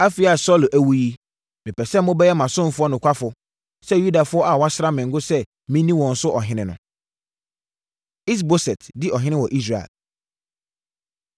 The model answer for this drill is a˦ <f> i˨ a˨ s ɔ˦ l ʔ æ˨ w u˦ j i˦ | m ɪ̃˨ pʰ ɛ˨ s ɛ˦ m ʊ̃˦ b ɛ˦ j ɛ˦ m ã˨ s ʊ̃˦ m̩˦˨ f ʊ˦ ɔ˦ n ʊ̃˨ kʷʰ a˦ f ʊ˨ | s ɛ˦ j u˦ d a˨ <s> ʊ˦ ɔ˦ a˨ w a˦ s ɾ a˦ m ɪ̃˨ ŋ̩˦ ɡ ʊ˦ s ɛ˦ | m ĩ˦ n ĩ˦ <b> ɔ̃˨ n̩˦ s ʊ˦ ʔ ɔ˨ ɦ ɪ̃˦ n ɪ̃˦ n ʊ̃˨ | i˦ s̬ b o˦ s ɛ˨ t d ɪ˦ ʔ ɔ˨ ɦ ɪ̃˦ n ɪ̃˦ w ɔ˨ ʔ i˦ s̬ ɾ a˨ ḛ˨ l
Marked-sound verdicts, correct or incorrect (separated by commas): correct, incorrect, incorrect